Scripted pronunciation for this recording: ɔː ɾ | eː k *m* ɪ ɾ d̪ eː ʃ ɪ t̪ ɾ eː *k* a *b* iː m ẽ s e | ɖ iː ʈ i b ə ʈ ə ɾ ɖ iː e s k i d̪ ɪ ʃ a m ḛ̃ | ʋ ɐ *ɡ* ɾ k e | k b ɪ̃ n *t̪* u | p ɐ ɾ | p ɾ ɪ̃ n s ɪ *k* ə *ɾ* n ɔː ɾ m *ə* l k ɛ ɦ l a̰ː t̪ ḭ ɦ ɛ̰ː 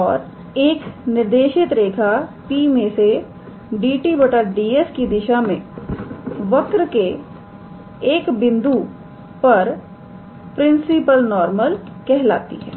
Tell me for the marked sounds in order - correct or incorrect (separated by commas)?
incorrect, incorrect, incorrect, incorrect, incorrect, incorrect, incorrect, correct